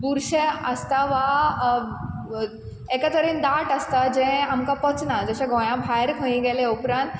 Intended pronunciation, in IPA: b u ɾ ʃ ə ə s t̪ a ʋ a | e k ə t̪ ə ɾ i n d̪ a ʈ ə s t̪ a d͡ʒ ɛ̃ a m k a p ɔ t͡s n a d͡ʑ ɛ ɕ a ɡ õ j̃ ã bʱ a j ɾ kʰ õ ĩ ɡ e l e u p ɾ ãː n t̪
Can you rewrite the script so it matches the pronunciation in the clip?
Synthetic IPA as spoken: b u ɾ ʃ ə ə s t̪ a ʋ a | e k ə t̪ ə ɾ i n d̪ a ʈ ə s t̪ a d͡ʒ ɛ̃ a m k a p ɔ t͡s n a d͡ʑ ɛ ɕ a ɡ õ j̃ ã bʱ a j ɾ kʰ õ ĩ ɡ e l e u p ɾ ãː n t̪